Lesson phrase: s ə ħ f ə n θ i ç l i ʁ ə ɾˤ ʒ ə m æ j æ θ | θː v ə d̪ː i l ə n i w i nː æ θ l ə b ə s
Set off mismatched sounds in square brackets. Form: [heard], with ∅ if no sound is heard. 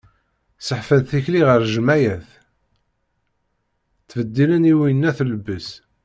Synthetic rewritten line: s ə ħ f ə n θ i ç l i ʁ ə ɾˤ ʒ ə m æ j æ θ | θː v ə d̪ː i l ə n i w i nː æ θ l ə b ə s